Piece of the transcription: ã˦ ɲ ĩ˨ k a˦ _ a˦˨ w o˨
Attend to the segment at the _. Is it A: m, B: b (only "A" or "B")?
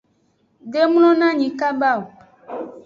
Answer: B